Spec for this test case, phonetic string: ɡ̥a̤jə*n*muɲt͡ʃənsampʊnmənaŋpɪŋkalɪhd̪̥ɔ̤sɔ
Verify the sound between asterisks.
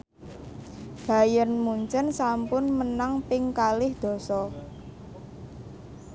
correct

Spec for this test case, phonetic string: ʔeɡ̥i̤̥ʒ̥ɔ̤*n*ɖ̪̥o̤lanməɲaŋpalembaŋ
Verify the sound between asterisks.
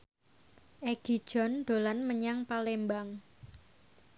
correct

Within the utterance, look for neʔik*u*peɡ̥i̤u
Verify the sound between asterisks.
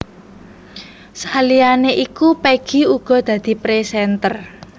correct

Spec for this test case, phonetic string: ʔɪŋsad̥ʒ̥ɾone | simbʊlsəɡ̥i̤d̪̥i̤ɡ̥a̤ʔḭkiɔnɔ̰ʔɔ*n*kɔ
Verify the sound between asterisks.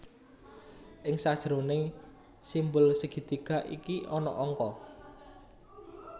incorrect: ŋ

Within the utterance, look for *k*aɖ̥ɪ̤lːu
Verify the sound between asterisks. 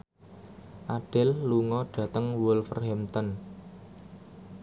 incorrect: ʔ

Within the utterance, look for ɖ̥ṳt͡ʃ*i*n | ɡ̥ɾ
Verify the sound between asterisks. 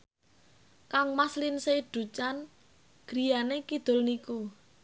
incorrect: a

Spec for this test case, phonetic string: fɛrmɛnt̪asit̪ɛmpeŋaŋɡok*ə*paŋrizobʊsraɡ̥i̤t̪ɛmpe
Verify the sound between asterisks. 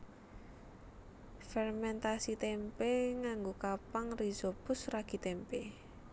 incorrect: a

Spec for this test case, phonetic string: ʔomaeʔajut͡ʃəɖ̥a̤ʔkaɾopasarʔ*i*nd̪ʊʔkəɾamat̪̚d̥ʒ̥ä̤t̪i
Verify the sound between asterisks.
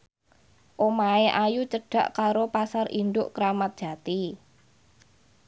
correct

